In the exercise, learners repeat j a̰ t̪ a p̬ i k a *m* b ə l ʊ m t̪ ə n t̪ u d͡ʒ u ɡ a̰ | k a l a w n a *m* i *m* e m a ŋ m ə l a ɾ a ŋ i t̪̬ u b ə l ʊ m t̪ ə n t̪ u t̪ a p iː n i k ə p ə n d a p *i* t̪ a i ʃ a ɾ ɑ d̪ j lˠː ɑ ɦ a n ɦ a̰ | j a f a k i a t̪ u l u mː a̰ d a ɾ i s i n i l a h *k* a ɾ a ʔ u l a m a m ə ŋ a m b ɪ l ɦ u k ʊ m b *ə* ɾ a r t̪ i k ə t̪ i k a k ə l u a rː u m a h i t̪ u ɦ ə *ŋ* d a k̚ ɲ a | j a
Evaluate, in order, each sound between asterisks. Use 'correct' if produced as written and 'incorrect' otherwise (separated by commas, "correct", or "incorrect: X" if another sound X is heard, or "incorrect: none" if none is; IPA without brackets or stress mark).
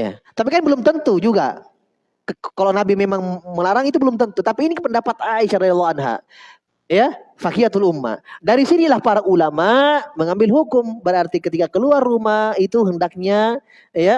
incorrect: n, incorrect: b, correct, incorrect: a, incorrect: p, correct, incorrect: n